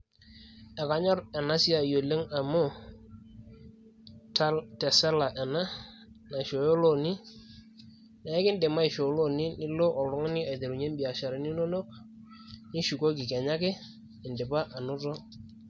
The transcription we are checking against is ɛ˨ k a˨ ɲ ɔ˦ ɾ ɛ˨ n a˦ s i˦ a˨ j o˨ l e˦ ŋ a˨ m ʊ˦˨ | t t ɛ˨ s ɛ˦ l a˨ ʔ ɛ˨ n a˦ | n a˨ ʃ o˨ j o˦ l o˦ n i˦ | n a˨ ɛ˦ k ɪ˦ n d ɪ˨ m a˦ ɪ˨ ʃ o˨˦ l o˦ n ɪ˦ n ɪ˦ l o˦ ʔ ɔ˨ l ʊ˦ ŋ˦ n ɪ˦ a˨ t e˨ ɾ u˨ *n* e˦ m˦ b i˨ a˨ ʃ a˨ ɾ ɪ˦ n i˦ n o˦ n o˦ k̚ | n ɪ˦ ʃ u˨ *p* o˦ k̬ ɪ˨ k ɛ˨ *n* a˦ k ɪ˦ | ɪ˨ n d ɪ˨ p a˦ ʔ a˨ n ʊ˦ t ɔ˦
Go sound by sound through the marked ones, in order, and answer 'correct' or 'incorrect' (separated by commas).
incorrect, incorrect, incorrect